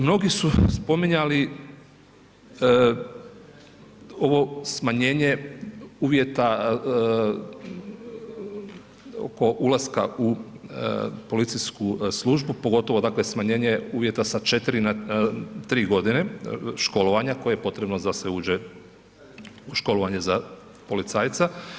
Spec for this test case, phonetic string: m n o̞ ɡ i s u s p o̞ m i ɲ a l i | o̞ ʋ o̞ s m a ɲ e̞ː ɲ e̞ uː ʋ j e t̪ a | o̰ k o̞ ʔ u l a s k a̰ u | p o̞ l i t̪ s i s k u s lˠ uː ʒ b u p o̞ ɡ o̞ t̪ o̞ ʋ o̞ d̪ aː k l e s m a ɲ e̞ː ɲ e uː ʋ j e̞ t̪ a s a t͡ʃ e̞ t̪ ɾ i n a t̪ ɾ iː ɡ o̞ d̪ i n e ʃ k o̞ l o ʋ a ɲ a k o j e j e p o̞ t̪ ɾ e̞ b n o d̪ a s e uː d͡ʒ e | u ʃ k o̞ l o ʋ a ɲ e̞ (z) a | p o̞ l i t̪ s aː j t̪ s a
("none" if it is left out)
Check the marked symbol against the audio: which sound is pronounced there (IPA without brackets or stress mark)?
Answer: z